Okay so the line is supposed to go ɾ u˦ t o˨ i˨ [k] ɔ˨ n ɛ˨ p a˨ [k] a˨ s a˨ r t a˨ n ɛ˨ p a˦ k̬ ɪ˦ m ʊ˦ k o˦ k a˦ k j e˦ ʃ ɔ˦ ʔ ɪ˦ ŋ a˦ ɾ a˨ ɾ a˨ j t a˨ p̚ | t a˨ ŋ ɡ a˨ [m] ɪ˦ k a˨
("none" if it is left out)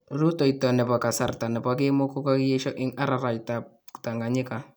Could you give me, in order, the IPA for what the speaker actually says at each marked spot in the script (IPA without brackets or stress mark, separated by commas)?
t, k, ɲ